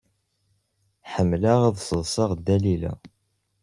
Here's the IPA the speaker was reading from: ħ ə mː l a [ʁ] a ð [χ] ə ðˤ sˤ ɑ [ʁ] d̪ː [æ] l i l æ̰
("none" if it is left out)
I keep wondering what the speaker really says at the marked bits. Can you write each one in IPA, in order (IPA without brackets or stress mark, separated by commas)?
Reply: ʁ, s, ʁ, æ